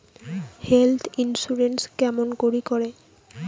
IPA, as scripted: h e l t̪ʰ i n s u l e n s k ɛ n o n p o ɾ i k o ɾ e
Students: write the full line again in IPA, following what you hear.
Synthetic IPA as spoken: h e l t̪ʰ i n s u ɾ e n s k ɛ m o n k o ɾ i k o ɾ e